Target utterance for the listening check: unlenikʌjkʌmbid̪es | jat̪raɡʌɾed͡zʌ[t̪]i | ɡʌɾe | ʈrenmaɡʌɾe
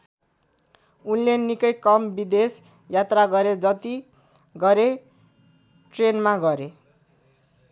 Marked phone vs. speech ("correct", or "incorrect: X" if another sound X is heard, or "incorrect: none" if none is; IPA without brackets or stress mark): correct